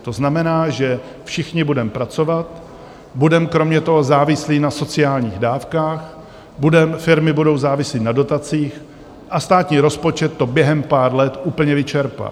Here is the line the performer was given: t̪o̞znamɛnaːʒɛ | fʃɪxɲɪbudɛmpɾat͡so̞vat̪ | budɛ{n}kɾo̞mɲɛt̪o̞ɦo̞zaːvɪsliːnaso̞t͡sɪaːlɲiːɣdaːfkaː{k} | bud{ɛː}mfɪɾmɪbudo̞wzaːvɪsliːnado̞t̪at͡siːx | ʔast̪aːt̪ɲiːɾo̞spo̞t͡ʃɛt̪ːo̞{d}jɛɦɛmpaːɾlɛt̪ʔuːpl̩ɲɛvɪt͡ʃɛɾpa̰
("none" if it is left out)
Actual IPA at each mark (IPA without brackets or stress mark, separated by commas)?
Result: m, x, ɛ, b